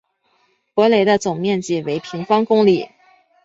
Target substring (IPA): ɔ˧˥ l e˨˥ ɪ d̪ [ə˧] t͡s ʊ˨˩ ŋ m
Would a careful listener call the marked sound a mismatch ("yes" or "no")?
no